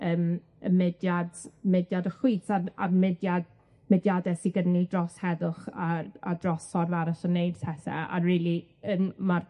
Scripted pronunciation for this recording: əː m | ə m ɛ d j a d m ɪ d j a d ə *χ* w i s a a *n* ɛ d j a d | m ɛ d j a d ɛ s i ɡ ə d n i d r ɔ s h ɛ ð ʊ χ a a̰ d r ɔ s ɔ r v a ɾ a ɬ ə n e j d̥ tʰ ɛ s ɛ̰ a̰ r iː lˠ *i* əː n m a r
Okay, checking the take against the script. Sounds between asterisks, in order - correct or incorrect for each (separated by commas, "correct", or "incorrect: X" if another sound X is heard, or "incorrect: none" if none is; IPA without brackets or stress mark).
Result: correct, incorrect: m, correct